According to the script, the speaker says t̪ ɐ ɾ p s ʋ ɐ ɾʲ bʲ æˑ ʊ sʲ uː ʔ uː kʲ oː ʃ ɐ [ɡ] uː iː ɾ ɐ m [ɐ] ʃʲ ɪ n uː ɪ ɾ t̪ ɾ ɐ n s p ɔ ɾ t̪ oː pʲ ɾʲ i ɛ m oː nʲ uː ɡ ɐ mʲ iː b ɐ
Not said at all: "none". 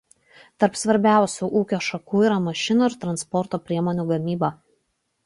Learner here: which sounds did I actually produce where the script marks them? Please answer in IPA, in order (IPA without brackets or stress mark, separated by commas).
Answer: k, ɐ